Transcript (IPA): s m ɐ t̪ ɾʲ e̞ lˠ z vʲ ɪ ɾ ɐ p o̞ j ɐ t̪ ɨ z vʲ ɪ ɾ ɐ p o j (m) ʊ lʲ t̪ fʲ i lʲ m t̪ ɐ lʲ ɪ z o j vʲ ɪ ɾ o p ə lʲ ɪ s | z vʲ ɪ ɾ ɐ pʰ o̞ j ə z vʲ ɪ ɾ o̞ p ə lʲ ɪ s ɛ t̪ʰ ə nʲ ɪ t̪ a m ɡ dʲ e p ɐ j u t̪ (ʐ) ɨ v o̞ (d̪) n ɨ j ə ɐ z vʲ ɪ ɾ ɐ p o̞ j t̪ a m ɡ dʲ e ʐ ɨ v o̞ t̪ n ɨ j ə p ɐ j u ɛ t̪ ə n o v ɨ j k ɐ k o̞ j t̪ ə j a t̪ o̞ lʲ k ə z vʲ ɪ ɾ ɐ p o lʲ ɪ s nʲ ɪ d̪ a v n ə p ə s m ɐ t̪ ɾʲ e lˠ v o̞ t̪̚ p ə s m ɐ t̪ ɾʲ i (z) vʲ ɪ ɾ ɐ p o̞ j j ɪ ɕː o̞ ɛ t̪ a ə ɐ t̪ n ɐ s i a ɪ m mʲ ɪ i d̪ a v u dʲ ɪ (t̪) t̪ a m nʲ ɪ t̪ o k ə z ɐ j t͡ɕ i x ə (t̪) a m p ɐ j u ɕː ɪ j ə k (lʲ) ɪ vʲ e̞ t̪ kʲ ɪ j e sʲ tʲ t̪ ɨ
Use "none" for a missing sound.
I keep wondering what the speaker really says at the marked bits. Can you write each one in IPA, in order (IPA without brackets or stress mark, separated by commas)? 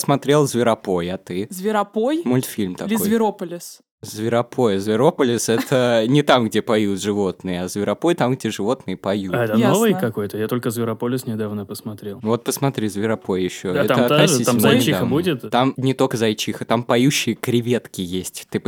m, ʐ, t̪, z, t̪, t̪, ɾʲ